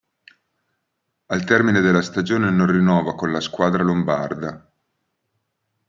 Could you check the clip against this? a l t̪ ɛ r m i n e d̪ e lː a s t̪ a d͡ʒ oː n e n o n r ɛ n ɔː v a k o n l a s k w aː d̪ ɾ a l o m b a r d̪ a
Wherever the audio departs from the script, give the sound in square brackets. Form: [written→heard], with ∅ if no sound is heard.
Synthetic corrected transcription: a l t̪ ɛ r m i n e d̪ e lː a s t̪ a d͡ʒ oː n e n o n r [ɛ→i] n ɔː v a k o n l a s k w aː d̪ ɾ a l o m b a r d̪ a